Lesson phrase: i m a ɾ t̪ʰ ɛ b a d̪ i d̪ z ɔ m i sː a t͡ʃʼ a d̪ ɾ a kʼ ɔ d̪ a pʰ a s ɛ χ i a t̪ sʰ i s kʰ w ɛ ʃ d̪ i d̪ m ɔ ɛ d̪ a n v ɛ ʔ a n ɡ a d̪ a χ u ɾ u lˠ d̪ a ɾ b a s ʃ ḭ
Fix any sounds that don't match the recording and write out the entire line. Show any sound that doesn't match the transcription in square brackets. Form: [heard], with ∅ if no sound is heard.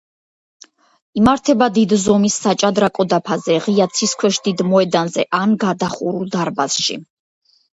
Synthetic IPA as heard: i m a ɾ t̪ʰ ɛ b a d̪ i d̪ z ɔ m i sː a t͡ʃʼ a d̪ ɾ a kʼ ɔ d̪ a pʰ a [z] ɛ [ʁ] i a t̪ sʰ i s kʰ w ɛ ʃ d̪ i d̪ m ɔ ɛ d̪ a n [z] ɛ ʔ a n ɡ a d̪ a χ u ɾ u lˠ d̪ a ɾ b a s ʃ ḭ

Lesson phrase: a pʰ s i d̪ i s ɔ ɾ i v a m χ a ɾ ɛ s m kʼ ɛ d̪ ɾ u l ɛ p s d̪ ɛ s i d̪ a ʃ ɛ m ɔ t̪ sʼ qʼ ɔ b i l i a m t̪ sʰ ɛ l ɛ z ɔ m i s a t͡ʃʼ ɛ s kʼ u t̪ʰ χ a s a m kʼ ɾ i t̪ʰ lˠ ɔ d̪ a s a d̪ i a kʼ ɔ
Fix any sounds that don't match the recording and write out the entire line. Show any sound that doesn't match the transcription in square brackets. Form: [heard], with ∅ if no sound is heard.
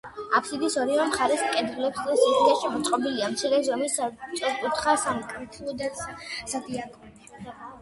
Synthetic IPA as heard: a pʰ s i d̪ i s ɔ ɾ i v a m χ a ɾ ɛ s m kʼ ɛ d̪ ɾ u l ɛ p s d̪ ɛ s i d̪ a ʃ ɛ m ɔ t̪ sʼ qʼ ɔ b i l i a m t̪ sʰ [i] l ɛ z ɔ m i s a t͡ʃʼ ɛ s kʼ u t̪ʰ χ a s a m kʼ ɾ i t̪ʰ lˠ ɔ d̪ a s a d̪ i a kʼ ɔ

